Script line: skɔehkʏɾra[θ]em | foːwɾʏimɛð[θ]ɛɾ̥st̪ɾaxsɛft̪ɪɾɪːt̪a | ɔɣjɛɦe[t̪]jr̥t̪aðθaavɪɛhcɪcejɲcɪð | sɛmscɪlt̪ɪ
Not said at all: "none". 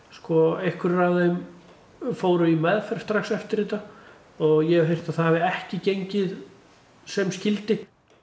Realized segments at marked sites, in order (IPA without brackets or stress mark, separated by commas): ð, f, none